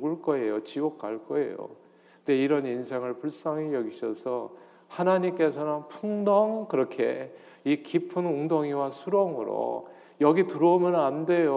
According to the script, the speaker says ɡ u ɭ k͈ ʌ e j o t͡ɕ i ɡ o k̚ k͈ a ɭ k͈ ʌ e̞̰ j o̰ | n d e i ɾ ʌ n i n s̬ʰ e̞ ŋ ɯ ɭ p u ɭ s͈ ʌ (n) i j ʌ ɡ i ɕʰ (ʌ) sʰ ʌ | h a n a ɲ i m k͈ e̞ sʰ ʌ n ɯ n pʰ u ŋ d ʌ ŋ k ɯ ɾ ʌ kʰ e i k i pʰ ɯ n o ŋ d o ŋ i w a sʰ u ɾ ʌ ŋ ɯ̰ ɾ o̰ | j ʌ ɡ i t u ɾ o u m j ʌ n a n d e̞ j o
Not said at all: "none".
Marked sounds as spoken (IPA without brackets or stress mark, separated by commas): ŋ, ʌ